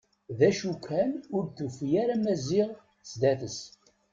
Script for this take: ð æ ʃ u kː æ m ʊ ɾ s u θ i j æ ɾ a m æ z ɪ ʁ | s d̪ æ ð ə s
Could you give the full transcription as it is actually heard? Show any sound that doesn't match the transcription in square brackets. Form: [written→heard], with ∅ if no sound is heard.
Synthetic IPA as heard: ð æ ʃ u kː æ [m→n] ʊ ɾ [s→θ] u [θ→f] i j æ ɾ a m æ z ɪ ʁ | s d̪ æ [ð→θ] ə s